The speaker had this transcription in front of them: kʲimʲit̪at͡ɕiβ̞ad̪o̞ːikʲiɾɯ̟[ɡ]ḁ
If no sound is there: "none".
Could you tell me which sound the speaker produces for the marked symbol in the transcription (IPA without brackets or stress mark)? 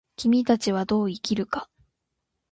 k